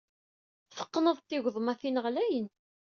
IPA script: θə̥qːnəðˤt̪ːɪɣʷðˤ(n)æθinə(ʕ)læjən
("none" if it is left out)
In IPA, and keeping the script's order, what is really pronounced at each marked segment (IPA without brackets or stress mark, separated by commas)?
m, ʁ